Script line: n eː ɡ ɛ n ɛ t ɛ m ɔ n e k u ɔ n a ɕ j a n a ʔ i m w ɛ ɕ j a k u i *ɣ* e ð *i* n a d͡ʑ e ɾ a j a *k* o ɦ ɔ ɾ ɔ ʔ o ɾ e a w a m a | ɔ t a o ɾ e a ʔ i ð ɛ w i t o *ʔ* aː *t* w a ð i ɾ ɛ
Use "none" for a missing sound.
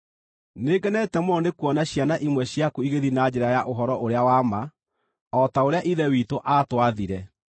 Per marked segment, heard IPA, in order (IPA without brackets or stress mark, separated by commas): ɣ, i, ʔ, ʔ, t